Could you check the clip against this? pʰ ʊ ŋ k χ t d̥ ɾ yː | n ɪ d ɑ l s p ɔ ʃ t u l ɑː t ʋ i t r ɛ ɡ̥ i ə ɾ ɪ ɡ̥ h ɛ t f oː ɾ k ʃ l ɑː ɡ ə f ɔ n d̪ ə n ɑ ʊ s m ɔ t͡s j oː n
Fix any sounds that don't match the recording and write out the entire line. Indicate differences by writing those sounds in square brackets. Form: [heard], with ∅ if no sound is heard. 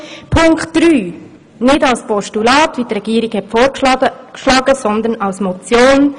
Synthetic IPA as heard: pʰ ʊ ŋ k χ t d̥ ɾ yː | n ɪ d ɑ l s p ɔ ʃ t u l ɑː t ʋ i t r ɛ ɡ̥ i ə ɾ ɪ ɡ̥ h ɛ t f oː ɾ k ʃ l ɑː ɡ ə [s] ɔ n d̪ ə n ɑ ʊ s m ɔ t͡s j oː n